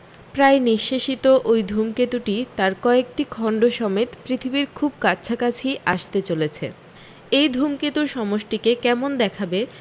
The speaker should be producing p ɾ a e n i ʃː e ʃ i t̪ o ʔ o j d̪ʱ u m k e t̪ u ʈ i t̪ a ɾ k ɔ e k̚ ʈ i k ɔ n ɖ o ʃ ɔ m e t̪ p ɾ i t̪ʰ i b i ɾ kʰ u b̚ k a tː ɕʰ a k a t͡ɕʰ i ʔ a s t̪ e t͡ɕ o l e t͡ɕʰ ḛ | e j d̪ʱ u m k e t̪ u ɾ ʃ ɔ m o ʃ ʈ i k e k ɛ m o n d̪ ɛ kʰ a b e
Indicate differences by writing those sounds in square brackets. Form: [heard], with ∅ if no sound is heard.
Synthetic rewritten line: p ɾ a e n i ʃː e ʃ i t̪ o ʔ o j d̪ʱ u m k e t̪ u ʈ i t̪ a ɾ k ɔ e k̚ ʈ i [kʰ] ɔ [ɳ] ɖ o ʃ ɔ m e t̪ p ɾ i t̪ʰ i b i ɾ kʰ u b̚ k a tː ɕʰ a k a t͡ɕʰ i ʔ a [ʃ] t̪ e t͡ɕ o l e t͡ɕʰ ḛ | e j d̪ʱ u m k e t̪ u ɾ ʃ ɔ m o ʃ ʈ i k e k ɛ m o n d̪ ɛ kʰ a b e